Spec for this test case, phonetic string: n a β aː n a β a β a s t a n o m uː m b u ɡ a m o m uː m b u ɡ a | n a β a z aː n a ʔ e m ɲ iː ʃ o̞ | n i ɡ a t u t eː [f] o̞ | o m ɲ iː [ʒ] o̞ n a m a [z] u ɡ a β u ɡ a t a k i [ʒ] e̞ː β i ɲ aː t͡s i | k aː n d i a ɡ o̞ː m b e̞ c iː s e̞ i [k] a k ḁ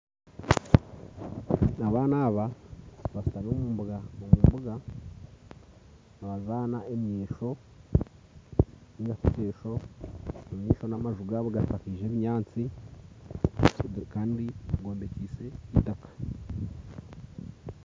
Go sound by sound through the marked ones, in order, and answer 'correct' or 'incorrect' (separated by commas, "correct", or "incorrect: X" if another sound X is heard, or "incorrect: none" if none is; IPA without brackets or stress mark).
incorrect: ʃ, incorrect: ʃ, incorrect: ʒ, correct, incorrect: t